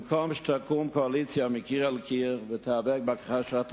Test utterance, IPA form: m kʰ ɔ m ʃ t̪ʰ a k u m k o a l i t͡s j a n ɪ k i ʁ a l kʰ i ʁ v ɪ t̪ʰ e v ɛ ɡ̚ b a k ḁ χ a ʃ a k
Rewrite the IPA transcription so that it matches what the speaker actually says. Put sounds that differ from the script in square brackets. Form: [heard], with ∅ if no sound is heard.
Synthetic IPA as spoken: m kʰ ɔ m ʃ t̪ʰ a k u m k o a l i t͡s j a [m] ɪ k i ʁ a l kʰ i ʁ v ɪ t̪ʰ [a] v ɛ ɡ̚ b a k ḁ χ a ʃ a [t]